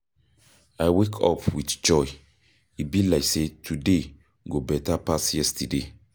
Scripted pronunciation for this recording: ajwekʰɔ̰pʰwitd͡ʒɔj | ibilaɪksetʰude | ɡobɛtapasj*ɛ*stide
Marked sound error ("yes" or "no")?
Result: no